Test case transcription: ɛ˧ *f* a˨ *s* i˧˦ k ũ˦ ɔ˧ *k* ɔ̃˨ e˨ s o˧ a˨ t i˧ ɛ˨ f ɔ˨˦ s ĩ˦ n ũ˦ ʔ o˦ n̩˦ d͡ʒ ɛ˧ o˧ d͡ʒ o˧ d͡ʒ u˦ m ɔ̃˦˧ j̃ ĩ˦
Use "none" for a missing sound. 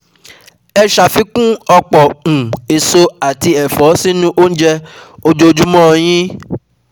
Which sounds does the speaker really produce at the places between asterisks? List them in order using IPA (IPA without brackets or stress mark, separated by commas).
ʃ, f, k͡p